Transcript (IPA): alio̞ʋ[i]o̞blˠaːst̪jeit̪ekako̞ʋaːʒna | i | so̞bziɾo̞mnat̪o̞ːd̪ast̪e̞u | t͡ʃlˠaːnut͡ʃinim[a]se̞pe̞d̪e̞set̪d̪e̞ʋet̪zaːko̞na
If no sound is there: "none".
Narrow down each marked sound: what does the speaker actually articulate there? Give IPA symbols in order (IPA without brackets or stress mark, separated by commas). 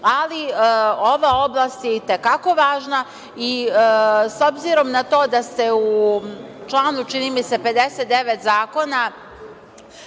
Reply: a, i